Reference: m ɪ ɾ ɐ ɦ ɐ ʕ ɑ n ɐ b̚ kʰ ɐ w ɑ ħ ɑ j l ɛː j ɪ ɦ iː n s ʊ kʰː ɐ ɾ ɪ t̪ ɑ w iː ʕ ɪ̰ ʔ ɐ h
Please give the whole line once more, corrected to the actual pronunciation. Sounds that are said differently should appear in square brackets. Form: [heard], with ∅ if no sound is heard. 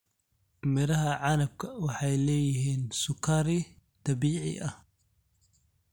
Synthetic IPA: m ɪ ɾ ɐ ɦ ɐ ʕ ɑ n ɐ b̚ kʰ ɐ w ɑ ħ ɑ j l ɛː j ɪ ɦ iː n s ʊ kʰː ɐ ɾ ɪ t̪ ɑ [b] iː ʕ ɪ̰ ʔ ɐ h